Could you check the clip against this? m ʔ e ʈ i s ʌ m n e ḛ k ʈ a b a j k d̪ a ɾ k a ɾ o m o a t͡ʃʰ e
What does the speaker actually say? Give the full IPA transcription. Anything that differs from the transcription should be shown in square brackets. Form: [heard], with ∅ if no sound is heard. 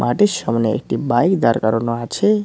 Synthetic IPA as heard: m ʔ [a] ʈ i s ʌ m n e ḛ k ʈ [i] b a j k d̪ a ɾ k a ɾ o [n] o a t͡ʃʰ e